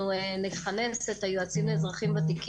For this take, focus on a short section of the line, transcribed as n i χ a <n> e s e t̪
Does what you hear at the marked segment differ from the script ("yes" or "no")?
no